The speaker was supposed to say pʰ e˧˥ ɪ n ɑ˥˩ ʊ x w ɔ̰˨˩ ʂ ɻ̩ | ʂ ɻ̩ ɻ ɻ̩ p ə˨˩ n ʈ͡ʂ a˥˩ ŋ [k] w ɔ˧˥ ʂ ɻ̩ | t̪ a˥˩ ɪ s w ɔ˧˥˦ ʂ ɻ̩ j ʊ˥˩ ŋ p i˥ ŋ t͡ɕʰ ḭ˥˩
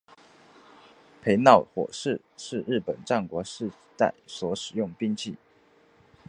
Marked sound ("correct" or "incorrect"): correct